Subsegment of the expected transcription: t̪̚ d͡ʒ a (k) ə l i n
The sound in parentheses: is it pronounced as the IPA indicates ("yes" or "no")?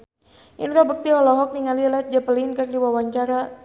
no